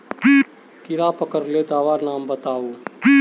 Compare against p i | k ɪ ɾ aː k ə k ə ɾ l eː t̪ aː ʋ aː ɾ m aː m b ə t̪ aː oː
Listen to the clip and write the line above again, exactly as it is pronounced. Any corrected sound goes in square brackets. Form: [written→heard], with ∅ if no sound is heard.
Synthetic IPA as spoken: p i | k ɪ ɾ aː [k→p] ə k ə ɾ l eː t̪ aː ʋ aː ɾ [m→n] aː m b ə t̪ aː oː